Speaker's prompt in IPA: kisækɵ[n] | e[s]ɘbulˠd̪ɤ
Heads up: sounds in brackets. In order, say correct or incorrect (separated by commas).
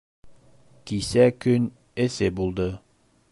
correct, correct